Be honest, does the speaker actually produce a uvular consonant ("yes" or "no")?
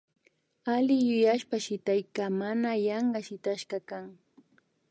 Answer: yes